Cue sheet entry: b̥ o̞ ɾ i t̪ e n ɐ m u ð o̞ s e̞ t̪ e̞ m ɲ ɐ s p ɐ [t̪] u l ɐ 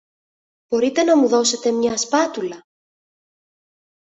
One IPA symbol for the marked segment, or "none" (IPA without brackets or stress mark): t̪